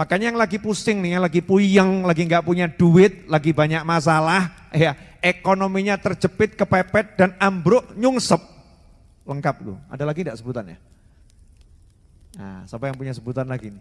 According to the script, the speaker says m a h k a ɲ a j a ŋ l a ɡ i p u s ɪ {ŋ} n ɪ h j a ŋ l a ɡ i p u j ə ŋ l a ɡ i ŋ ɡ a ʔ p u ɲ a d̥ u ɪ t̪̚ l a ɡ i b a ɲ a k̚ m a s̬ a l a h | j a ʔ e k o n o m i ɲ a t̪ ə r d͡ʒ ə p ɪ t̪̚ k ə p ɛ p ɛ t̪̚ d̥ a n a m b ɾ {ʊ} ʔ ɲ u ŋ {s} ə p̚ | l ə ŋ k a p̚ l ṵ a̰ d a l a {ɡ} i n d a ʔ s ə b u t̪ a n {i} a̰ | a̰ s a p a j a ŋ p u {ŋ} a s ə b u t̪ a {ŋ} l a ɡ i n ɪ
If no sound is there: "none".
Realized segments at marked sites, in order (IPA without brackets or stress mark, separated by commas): ŋ, ʊ, s, ɡ, j, ɲ, n